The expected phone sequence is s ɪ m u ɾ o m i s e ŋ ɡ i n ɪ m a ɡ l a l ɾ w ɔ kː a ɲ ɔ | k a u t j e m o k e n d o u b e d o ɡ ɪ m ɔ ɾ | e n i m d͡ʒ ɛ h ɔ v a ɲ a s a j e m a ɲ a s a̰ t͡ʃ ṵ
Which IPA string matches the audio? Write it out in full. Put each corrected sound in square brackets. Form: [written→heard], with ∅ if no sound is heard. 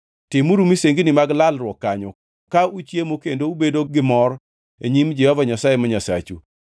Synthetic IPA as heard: [s→t] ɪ m u ɾ [o→u] m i s e ŋ ɡ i n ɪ m a ɡ l a l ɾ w ɔ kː a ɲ ɔ | k a u [t→t͡ʃ] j e m o k e n d o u b e d o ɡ ɪ m ɔ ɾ | e [n→ɲ] i m d͡ʒ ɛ h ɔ v a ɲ a s a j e m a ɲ a s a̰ t͡ʃ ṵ